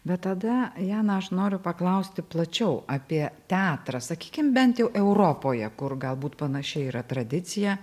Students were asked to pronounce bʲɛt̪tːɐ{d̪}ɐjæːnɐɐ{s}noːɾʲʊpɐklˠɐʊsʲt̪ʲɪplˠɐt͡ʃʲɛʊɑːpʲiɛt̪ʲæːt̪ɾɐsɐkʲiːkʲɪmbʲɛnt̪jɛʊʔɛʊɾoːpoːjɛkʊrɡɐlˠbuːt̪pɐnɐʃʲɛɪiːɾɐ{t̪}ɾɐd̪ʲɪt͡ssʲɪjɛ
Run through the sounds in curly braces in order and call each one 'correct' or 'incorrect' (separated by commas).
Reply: correct, incorrect, correct